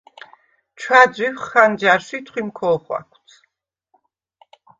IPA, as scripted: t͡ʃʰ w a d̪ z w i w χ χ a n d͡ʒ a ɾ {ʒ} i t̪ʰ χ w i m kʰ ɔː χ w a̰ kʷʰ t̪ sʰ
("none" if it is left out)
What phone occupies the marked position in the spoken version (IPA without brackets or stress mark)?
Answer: ʃ